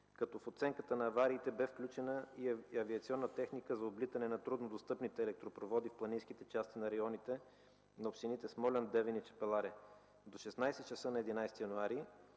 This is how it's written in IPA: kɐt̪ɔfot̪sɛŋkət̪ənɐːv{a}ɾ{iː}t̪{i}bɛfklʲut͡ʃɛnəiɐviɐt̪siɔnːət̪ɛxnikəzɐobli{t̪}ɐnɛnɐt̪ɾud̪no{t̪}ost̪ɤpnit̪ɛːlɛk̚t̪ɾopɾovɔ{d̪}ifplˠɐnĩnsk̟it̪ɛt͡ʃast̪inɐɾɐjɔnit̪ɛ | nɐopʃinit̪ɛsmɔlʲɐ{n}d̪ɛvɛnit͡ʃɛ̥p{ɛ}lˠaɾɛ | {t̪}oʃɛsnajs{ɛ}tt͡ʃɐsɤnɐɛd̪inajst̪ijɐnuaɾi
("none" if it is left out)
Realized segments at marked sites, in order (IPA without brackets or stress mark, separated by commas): a, iː, ɛ, t̪, d̪, d̪, n, ɛ, d̪, ɛ